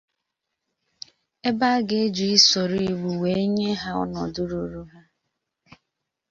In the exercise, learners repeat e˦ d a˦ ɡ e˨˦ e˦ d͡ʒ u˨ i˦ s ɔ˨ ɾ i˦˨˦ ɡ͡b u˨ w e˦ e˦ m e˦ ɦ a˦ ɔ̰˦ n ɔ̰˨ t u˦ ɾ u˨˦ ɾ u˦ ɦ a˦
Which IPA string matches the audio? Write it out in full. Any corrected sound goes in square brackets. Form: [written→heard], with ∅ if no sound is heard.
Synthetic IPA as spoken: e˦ [d→b] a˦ ɡ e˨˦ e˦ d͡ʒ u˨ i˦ s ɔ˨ ɾ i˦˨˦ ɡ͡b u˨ w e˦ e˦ [m→ɲ] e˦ ɦ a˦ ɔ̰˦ n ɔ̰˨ [t→d] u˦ ɾ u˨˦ ɾ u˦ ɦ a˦

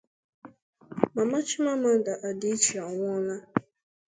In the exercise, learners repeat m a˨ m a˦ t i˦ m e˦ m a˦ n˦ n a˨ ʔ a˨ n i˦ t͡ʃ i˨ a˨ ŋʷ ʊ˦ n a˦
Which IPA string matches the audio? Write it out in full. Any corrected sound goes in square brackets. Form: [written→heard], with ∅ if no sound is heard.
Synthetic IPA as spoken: m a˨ m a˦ [t→t͡ʃ] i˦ m [e˦→a˦] m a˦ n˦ [n→d] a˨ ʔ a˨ [n→d] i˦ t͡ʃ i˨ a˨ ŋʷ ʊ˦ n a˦

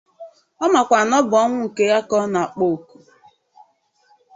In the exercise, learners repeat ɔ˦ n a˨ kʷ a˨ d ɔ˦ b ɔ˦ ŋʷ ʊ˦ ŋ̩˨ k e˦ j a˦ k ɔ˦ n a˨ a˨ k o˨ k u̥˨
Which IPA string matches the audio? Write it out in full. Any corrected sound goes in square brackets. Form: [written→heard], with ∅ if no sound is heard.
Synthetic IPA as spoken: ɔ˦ [n→m] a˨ kʷ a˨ [d→n] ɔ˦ b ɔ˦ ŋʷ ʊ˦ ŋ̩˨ k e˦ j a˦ k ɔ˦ n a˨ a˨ [k→k͡p] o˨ k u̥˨

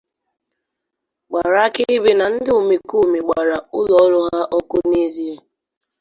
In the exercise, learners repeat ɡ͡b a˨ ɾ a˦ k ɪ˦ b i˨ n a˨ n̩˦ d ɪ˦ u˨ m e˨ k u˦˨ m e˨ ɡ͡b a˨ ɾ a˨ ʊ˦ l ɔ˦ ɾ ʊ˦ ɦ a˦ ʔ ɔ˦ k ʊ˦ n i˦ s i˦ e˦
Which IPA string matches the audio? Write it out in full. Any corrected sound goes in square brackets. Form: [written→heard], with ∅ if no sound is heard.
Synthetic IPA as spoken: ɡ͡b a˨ ɾ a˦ k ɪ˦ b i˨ n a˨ n̩˦ d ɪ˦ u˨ m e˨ k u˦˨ m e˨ ɡ͡b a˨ ɾ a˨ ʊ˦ l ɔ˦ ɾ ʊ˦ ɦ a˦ ʔ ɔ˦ k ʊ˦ n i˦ [s→z] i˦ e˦

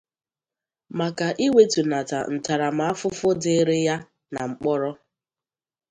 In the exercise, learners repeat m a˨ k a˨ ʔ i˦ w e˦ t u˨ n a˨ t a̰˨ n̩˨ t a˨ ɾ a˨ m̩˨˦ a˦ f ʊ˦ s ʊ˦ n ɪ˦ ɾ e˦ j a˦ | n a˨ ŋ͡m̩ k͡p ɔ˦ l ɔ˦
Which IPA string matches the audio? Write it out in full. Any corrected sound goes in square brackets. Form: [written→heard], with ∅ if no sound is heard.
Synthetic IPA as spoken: m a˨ k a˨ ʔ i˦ w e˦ t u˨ n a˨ t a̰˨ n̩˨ t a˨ ɾ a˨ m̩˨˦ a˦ f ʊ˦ [s→f] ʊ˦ [n→d] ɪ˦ ɾ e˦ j a˦ | n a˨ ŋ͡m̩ k͡p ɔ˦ [l→ɾ] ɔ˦

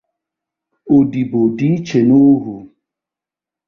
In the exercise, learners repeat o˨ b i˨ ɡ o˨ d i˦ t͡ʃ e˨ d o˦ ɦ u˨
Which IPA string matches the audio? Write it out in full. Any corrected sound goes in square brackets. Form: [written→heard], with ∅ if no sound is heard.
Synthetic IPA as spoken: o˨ [b→d] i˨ [ɡ→b] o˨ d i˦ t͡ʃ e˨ [d→n] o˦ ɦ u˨

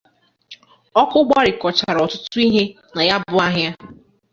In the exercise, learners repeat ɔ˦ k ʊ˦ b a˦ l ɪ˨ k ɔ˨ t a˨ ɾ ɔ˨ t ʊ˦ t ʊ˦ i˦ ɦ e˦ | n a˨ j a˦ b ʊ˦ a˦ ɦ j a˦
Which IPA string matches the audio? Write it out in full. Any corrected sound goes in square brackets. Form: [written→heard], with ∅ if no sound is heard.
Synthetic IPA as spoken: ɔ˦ k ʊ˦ [b→ɡ͡b] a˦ [l→ɾ] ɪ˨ k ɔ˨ [t→t͡ʃ] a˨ ɾ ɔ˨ t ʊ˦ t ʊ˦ i˦ ɦ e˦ | n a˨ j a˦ b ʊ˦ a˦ ɦ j a˦

